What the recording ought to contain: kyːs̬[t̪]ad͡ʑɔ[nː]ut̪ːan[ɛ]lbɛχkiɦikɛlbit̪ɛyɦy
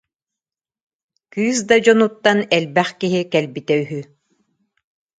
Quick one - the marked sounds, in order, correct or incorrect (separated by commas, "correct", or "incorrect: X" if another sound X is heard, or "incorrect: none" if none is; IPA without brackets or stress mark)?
incorrect: d̪, incorrect: n, correct